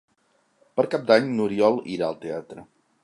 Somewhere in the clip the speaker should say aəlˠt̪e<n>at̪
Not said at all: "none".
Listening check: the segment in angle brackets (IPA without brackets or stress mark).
none